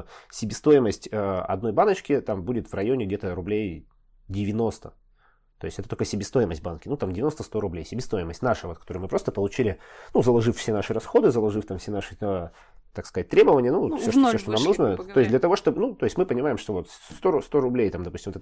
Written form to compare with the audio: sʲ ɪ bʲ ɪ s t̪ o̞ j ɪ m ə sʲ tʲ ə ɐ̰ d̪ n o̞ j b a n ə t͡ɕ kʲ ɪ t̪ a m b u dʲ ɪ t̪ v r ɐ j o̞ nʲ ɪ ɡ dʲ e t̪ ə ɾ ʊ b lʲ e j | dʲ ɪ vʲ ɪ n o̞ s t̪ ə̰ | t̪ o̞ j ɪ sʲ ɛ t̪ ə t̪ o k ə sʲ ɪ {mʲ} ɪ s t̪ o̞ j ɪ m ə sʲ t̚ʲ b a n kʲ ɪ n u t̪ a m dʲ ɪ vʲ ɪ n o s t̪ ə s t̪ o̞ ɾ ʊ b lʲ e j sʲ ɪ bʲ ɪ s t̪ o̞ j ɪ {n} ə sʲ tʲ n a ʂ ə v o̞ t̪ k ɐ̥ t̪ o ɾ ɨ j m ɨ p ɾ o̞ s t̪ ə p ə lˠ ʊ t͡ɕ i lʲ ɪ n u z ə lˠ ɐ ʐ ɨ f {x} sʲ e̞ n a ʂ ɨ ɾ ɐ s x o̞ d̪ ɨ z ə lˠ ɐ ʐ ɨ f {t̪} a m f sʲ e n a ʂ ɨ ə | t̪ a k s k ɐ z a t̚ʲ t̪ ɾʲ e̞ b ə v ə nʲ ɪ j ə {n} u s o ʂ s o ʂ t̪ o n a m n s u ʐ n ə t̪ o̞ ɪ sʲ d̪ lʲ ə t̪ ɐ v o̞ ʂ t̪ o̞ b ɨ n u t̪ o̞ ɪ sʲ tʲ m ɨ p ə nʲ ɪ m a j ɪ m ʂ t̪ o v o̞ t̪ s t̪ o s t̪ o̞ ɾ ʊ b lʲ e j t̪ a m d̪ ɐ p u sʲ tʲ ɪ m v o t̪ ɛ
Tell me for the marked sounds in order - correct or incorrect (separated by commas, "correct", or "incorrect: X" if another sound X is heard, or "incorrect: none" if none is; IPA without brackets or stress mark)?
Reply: incorrect: bʲ, incorrect: m, incorrect: f, correct, correct